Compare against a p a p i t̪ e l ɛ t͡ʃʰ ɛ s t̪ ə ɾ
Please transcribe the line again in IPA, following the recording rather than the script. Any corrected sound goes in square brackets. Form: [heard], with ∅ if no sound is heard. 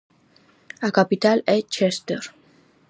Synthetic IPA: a [k] a p i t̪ [a] l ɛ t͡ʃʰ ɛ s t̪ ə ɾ